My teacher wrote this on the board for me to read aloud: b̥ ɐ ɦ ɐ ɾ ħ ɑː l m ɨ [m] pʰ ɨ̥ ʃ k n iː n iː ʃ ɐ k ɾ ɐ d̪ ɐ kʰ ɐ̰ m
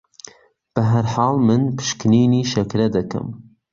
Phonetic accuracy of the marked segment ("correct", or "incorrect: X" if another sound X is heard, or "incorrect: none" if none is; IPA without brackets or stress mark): incorrect: n